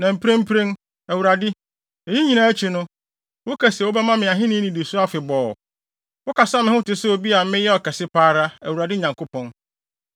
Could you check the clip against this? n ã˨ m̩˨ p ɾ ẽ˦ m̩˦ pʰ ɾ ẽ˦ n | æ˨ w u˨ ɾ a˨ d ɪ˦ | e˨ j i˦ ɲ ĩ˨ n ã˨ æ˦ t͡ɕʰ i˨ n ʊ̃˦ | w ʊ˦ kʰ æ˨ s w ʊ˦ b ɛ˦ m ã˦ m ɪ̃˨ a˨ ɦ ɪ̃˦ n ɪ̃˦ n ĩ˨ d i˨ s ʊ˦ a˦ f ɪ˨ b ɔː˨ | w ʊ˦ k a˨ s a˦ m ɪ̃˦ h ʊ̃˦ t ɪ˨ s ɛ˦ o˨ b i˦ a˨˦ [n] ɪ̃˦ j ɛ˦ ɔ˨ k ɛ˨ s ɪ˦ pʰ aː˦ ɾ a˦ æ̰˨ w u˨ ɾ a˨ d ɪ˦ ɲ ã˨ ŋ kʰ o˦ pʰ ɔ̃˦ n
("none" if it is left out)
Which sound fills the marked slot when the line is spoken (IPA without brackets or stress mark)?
m